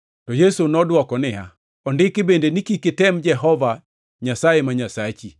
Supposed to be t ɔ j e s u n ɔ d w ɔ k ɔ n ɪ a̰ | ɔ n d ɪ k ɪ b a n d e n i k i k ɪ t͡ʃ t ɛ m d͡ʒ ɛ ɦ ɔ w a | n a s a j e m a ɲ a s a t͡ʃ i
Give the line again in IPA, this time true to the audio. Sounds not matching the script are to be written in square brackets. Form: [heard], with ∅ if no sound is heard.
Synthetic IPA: t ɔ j e s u n ɔ d w ɔ k ɔ n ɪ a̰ | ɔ n d ɪ k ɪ b [e] n d e n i k i k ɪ [∅] t ɛ m d͡ʒ ɛ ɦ ɔ [v] a | [ɲ] a s a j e m a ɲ a s a t͡ʃ i